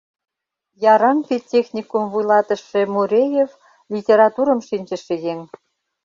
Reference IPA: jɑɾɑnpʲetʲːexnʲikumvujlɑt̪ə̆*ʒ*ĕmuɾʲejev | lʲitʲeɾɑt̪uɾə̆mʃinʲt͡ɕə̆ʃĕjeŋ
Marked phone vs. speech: incorrect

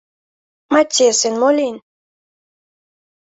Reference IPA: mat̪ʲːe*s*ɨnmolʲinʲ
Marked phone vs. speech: correct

